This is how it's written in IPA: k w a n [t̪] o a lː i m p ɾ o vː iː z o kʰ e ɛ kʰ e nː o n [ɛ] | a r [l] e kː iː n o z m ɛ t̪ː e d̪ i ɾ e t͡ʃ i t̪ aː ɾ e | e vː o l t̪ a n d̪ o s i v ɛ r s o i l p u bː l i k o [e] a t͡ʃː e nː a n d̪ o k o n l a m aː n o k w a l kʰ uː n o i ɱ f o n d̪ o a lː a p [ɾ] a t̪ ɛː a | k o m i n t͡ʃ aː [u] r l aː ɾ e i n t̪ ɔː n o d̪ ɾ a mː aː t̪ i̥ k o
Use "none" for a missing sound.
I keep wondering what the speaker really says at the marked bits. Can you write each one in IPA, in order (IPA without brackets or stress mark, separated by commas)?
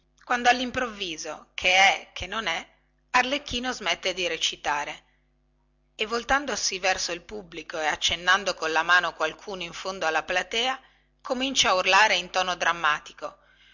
d̪, ɛ, l, e, l, u